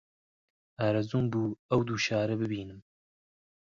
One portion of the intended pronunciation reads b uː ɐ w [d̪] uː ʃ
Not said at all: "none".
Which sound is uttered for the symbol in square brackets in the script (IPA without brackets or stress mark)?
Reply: d̪